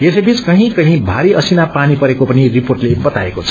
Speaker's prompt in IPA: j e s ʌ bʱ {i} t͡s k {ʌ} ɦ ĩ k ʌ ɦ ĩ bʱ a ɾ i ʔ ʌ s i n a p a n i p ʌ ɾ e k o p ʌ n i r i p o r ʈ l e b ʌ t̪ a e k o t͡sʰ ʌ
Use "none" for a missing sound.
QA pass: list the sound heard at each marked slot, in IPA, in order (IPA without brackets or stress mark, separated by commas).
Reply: i, ʌ